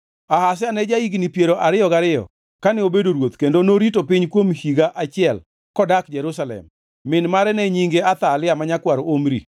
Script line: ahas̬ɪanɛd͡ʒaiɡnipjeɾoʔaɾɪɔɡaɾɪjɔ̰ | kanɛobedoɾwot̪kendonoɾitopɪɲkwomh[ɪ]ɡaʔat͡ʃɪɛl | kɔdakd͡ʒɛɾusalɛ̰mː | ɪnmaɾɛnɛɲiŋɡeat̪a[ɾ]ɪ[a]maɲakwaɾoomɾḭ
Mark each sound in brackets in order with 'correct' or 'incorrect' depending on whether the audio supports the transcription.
incorrect: i, incorrect: l, correct

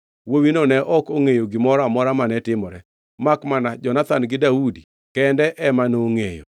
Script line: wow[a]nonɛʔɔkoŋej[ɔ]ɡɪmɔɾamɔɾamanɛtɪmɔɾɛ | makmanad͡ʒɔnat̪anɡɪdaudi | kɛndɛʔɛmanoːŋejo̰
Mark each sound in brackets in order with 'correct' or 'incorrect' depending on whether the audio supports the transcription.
incorrect: i, incorrect: o

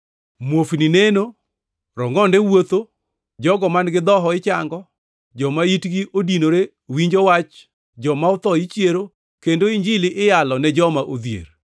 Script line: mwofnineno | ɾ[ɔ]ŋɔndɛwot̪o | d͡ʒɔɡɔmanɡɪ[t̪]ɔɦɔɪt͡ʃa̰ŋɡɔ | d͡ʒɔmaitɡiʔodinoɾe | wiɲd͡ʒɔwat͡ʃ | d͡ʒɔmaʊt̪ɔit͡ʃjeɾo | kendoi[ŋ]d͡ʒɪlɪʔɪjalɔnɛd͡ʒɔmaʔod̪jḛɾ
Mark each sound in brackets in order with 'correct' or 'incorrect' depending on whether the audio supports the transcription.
correct, incorrect: d̪, incorrect: ɲ

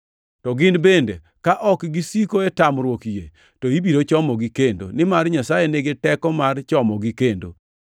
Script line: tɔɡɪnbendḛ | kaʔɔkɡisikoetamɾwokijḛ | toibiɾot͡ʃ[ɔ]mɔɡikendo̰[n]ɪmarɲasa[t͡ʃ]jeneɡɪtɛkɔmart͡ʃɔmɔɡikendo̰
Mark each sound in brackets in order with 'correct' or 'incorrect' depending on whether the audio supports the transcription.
correct, correct, incorrect: none

